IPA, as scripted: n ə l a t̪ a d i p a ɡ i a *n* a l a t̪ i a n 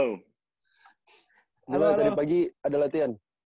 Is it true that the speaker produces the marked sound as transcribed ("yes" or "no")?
no